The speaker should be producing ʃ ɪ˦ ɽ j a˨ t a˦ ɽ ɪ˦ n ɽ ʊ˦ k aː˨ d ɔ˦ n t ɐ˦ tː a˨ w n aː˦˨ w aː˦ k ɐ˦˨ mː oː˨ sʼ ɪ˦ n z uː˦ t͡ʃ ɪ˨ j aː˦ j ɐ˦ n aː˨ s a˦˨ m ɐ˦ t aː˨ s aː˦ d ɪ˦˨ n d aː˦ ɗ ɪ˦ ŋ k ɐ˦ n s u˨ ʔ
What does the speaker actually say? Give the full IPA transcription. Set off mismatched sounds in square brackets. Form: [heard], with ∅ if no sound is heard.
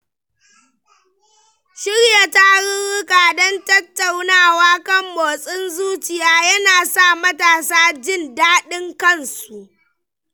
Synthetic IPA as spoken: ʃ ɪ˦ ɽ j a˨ t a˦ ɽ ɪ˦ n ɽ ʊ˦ k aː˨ d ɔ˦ n t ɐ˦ tː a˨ w n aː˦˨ w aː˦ k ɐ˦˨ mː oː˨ sʼ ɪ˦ n z uː˦ t͡ʃ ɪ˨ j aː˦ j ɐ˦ n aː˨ s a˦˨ m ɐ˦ t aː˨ s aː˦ [d͡ʒ] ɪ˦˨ n d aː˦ ɗ ɪ˦ ŋ k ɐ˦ n s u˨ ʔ